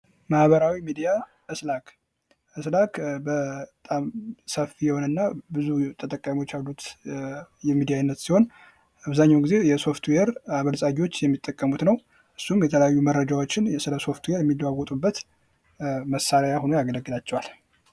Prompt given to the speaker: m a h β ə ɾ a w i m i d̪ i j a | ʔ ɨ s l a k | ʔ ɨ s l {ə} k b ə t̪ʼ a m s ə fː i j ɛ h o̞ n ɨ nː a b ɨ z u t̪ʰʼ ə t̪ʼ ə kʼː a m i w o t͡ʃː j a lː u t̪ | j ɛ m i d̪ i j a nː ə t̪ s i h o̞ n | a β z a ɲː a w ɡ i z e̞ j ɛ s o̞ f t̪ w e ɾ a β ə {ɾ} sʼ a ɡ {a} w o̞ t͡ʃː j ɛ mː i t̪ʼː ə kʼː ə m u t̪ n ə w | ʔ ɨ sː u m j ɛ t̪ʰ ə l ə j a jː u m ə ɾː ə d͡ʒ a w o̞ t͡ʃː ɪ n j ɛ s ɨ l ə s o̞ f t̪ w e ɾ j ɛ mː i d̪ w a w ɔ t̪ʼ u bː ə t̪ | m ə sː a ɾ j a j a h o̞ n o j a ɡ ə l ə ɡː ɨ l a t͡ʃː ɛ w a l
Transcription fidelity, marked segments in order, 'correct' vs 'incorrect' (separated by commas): incorrect, incorrect, incorrect